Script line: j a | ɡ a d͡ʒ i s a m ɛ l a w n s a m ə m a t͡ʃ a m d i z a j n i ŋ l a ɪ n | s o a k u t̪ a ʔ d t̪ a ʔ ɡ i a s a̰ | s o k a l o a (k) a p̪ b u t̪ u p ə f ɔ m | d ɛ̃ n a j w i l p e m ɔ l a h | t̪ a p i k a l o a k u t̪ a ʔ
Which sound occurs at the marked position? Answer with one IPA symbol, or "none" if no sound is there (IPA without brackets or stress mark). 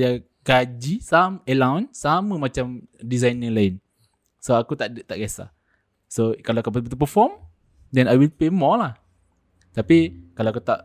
k